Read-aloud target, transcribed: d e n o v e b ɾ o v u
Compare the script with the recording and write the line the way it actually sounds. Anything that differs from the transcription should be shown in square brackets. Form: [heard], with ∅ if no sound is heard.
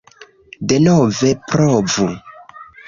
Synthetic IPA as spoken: d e n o v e [p] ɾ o v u